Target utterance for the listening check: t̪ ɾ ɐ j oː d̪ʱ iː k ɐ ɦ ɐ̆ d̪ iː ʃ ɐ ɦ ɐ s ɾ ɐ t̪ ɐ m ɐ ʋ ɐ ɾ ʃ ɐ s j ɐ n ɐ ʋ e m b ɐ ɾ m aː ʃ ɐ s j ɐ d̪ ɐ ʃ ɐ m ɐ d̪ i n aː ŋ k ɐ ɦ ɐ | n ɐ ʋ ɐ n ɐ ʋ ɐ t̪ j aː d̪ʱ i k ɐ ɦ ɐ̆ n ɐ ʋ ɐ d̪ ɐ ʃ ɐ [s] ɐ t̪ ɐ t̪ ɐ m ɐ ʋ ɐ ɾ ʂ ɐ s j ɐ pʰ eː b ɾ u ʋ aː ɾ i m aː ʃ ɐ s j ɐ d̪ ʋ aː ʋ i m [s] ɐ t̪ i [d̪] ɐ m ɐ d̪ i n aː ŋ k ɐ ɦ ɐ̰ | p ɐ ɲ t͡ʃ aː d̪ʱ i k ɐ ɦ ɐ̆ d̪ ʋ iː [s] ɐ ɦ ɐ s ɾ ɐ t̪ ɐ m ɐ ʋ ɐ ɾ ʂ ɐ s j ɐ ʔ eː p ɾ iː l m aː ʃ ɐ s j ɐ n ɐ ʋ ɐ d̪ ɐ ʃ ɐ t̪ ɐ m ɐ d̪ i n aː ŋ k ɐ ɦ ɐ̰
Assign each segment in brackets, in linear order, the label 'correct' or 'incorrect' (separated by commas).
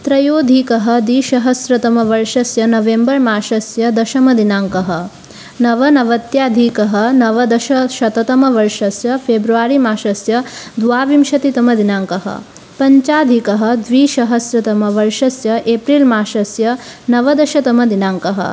incorrect, incorrect, incorrect, incorrect